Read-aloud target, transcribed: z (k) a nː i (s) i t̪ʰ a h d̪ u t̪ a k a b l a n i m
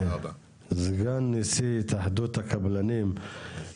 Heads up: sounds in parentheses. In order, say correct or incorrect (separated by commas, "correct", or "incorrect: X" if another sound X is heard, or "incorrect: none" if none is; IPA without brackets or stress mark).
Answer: incorrect: ɡ, correct